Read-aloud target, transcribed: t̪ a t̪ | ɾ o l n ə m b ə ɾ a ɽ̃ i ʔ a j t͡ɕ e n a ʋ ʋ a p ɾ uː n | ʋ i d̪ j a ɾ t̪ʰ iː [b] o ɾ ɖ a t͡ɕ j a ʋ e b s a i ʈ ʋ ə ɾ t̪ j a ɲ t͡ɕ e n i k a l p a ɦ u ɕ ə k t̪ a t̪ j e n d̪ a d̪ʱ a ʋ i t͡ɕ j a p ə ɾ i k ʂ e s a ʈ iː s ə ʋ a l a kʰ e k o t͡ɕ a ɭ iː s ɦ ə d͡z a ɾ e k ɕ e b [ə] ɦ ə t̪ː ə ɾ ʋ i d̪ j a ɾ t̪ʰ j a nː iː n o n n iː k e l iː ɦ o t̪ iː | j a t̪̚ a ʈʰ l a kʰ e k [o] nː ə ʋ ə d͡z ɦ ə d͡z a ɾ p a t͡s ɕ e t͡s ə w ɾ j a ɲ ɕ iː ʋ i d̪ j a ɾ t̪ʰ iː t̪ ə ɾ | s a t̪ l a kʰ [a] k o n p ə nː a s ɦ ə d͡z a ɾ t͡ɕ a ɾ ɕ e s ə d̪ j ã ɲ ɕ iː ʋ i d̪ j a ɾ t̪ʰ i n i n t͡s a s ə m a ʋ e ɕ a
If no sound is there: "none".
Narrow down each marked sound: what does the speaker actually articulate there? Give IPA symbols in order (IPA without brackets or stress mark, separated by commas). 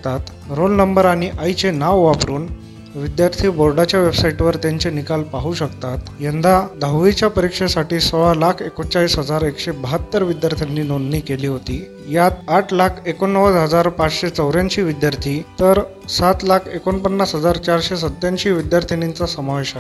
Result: b, ə, o, e